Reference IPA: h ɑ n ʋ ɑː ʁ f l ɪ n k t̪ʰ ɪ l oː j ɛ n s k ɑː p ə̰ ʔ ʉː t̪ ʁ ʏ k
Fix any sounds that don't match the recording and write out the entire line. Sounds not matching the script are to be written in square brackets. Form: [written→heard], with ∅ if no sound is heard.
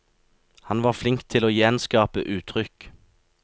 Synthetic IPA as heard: h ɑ n ʋ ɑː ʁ f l ɪ [n→ŋ] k t̪ʰ ɪ l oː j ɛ n s k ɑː p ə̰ ʔ ʉː [t̪→t̪ʰ] ʁ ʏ k